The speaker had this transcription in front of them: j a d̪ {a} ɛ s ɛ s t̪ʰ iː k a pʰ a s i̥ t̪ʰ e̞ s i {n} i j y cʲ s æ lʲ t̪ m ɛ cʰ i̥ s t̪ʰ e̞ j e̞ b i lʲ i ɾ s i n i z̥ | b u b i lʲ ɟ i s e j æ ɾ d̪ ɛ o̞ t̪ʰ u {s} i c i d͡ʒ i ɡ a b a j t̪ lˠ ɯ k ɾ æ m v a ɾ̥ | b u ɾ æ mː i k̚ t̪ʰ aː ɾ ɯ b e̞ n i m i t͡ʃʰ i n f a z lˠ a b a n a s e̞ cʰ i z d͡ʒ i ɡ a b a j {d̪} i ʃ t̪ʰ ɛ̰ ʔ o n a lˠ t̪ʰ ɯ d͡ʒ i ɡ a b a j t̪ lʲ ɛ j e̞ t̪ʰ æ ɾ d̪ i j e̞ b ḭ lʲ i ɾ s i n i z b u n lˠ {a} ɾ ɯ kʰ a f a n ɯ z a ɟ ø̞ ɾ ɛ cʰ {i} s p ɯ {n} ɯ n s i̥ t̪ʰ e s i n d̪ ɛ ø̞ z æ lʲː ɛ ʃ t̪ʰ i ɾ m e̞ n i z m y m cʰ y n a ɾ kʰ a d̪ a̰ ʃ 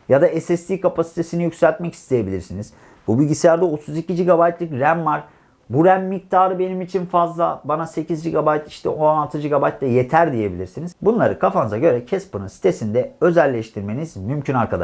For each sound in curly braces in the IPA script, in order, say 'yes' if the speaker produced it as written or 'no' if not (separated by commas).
yes, yes, no, no, yes, no, yes